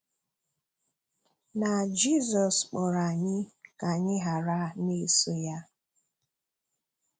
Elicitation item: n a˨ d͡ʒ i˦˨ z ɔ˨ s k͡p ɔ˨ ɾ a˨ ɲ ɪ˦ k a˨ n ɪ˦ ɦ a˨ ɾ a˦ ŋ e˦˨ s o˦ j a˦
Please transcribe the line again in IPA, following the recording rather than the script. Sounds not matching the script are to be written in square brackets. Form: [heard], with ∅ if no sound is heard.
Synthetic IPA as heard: n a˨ d͡ʒ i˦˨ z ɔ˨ s k͡p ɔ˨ ɾ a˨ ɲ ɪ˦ k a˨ [ɲ] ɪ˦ ɦ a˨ ɾ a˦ [n] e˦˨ s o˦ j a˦